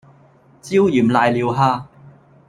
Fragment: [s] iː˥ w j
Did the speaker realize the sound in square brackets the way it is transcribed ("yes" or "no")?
no